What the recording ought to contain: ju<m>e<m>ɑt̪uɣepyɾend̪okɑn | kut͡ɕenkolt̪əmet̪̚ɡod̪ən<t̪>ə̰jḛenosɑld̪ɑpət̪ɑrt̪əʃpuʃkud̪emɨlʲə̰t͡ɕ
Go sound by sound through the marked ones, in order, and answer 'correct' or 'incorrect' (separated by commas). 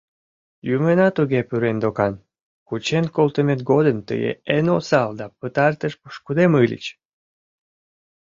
correct, incorrect, correct